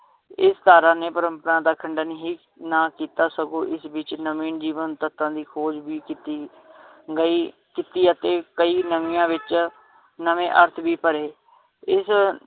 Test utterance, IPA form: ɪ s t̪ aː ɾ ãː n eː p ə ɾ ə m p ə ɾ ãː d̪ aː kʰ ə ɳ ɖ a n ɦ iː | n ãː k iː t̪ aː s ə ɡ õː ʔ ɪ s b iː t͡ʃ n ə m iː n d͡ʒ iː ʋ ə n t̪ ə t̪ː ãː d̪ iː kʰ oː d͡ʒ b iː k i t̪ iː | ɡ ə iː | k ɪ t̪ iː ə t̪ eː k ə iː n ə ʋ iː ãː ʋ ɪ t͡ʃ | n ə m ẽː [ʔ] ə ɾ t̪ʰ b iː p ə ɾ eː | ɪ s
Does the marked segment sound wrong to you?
no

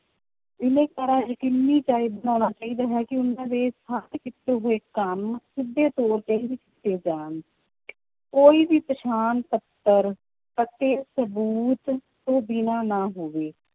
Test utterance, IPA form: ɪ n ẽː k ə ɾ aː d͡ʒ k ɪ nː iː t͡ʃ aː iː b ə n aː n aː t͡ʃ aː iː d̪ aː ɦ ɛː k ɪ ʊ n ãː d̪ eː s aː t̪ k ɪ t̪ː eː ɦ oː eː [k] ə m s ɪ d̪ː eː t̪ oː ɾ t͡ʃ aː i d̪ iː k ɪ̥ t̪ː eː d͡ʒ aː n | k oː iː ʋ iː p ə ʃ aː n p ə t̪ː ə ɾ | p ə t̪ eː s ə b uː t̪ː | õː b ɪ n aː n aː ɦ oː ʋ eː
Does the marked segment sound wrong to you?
no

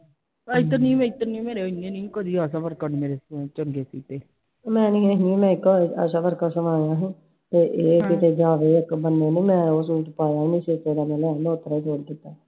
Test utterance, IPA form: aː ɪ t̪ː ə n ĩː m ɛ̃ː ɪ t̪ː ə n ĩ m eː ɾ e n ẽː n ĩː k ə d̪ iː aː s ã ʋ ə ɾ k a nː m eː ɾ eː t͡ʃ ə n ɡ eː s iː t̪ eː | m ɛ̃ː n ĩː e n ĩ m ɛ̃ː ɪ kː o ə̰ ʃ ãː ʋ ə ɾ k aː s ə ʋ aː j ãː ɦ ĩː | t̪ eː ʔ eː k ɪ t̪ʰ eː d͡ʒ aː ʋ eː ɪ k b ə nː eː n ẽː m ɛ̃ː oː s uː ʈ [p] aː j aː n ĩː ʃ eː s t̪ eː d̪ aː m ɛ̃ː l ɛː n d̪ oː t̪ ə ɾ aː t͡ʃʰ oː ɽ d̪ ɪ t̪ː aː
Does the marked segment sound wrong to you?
no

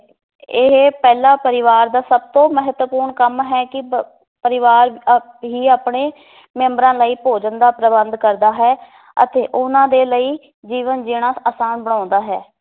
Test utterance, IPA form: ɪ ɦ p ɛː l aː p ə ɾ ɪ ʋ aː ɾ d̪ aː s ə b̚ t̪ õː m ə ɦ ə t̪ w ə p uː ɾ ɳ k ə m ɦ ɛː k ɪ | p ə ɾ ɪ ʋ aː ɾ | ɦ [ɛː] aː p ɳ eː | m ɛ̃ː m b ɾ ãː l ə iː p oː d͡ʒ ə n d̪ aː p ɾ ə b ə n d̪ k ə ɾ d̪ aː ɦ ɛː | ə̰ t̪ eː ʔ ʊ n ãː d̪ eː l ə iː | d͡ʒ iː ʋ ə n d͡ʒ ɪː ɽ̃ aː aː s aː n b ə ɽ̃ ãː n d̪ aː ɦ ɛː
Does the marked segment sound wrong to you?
yes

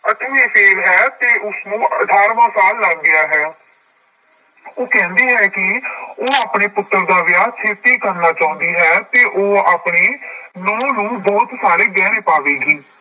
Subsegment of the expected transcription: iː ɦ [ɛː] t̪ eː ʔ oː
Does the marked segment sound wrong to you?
no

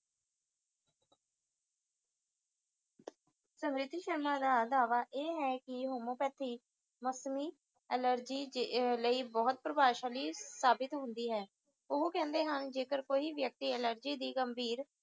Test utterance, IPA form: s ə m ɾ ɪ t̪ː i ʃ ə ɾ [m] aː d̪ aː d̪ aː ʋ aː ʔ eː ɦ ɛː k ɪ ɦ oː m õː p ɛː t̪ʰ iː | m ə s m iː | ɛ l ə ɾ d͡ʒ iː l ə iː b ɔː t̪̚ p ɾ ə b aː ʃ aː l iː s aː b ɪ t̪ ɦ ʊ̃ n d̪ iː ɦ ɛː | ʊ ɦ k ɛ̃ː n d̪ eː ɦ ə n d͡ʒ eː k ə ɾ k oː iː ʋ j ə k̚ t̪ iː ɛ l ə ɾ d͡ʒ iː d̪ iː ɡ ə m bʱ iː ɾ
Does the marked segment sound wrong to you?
no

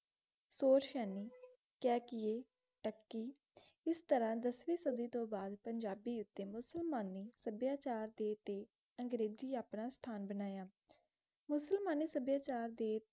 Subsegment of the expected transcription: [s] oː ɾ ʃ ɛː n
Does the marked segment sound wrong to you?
no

